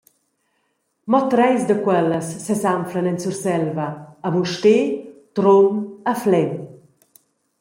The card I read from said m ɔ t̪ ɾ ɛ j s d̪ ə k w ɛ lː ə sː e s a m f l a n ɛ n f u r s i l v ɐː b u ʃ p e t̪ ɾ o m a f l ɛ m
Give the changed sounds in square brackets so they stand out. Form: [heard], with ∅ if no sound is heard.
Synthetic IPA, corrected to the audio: m ɔ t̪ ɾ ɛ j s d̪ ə k w ɛ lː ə sː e s a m f l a n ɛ n [s] u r s [ɛ] l v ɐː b u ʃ [t] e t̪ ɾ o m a f l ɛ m